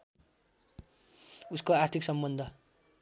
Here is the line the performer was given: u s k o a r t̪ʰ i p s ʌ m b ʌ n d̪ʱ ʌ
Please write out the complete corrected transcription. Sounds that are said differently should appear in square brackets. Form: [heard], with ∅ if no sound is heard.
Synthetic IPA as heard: u s k o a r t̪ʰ i [k] s ʌ m b ʌ n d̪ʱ ʌ